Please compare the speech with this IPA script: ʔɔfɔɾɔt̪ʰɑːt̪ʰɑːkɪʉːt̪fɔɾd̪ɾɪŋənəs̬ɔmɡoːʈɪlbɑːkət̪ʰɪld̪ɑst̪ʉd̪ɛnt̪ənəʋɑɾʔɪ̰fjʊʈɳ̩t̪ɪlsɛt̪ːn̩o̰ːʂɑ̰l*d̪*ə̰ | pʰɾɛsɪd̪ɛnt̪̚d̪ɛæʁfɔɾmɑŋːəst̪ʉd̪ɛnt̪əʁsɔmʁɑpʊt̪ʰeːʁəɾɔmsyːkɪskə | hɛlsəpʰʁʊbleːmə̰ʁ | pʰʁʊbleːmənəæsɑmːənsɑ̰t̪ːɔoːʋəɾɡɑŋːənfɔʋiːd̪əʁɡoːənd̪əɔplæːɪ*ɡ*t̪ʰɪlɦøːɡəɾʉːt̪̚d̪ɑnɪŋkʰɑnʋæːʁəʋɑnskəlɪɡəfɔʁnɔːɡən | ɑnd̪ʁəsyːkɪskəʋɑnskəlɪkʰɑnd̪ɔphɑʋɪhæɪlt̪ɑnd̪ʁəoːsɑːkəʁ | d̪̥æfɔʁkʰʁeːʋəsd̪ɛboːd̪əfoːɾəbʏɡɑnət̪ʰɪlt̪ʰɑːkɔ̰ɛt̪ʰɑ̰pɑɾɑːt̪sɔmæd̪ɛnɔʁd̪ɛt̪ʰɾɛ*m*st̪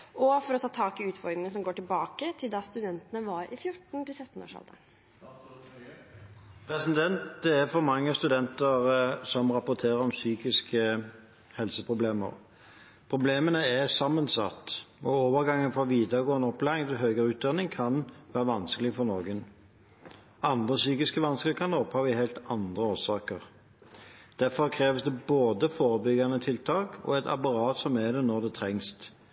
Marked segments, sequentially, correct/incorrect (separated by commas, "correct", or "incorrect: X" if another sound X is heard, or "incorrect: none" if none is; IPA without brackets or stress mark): correct, incorrect: ŋ, incorrect: ŋ